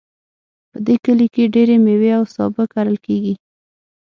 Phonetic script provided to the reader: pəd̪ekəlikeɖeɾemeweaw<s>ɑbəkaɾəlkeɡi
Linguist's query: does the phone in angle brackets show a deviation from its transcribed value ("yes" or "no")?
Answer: no